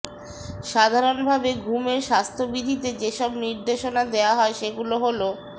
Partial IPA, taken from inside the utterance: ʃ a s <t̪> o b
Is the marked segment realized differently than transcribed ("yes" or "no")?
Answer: yes